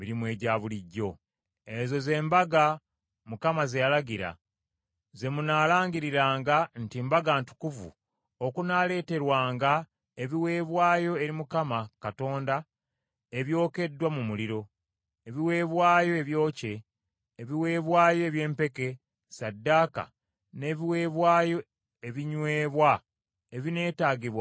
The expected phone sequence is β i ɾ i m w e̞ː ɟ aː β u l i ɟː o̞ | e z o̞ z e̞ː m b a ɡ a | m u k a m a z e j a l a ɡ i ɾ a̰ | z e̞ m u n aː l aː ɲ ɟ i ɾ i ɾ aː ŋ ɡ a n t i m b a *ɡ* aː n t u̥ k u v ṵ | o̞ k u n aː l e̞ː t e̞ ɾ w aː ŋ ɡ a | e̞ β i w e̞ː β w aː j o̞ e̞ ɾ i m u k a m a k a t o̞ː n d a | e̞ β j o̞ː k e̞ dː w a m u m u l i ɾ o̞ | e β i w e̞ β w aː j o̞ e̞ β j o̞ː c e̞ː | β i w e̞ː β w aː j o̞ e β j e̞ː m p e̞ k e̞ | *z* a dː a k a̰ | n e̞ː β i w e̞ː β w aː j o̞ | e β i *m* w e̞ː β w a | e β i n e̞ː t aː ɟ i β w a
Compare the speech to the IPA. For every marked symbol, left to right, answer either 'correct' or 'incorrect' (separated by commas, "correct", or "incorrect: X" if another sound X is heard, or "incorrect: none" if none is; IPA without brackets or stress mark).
correct, incorrect: s, incorrect: ɲ